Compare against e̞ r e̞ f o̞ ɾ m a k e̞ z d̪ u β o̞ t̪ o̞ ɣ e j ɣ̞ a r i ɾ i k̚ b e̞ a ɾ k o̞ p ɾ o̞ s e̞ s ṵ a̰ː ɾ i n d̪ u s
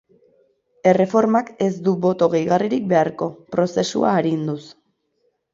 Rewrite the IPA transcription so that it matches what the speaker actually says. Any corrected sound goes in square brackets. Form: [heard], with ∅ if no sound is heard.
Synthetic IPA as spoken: e̞ r e̞ f o̞ ɾ m a k e̞ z d̪ u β o̞ t̪ o̞ ɣ e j ɣ̞ a r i ɾ i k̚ b e̞ a ɾ k o̞ p ɾ o̞ s e̞ s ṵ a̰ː ɾ i n d̪ u s